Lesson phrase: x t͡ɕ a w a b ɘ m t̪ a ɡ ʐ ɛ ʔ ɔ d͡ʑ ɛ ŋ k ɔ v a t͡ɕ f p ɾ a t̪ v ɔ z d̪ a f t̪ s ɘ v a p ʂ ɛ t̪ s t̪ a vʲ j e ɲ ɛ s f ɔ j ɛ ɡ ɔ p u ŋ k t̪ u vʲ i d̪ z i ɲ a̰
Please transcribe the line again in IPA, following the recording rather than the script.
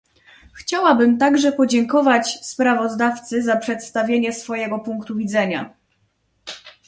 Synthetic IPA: x t͡ɕ a w a b ɘ m t̪ a ɡ ʐ ɛ p ɔ d͡ʑ ɛ ŋ k ɔ v a t͡ɕ s p ɾ a v ɔ z d̪ a f t̪ s ɘ z a p ʂ ɛ t̪ s t̪ a vʲ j e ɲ ɛ s f ɔ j ɛ ɡ ɔ p u ŋ k t̪ u vʲ i d̪ z ɛ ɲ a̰